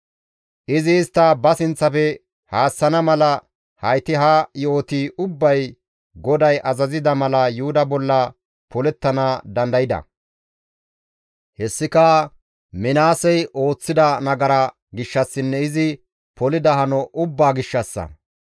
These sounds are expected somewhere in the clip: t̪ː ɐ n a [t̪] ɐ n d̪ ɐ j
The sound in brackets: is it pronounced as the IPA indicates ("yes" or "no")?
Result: no